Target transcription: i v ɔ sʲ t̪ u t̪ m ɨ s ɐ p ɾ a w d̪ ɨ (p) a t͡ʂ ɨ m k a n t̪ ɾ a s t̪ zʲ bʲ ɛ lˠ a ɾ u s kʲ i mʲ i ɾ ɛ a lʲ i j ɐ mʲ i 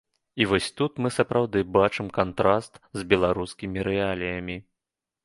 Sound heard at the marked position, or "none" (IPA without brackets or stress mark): b